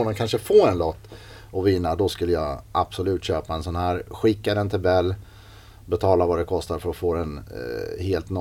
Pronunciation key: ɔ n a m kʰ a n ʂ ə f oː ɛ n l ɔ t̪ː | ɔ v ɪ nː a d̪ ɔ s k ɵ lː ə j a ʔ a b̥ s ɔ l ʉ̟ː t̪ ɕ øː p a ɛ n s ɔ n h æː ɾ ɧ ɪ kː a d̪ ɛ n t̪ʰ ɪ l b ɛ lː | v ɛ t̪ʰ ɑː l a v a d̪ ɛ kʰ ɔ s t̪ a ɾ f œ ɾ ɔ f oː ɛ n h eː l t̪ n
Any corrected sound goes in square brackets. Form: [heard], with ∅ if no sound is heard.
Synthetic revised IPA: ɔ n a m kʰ a n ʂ ə f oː ɛ n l ɔ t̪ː | ɔ v ɪ nː a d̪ ɔ s k ɵ lː ə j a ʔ a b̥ s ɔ l ʉ̟ː t̪ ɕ øː p a ɛ n s ɔ n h æː ɾ ɧ ɪ kː a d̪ ɛ n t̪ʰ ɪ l b ɛ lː | [b] ɛ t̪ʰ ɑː l a v a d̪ ɛ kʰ ɔ s t̪ a ɾ f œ ɾ ɔ f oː ɛ n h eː l t̪ n